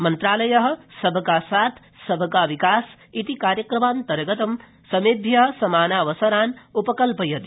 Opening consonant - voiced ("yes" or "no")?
yes